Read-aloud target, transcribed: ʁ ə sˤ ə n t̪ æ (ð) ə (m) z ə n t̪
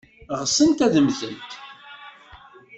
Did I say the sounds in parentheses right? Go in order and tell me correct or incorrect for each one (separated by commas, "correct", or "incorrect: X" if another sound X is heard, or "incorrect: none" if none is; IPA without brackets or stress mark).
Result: correct, correct